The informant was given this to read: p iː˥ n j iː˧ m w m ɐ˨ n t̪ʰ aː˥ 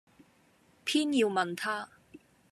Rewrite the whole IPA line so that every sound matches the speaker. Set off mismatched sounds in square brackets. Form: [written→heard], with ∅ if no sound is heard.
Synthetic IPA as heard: [p→pʰ] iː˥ n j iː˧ [m→∅] w m ɐ˨ n t̪ʰ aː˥